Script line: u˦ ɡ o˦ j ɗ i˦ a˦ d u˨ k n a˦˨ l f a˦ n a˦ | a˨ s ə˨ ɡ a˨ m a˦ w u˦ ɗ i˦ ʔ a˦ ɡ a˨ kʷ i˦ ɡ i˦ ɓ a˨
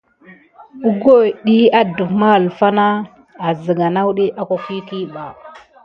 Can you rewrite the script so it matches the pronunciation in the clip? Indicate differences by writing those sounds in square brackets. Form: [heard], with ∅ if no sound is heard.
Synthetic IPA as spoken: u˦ ɡ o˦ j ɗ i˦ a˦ d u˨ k [m] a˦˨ l f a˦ n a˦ | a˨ [z] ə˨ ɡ a˨ [n] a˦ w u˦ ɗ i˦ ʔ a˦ [k] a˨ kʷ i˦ [k] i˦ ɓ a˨